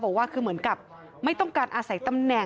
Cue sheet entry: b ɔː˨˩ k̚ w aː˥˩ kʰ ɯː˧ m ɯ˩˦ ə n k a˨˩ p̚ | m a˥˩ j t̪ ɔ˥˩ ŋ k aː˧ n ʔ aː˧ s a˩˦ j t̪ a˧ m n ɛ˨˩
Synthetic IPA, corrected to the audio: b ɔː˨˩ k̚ w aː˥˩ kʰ ɯː˧ m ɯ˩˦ ə n k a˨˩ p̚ | m a˥˩ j t̪ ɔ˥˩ ŋ k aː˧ n ʔ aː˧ s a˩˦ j t̪ a˧ m n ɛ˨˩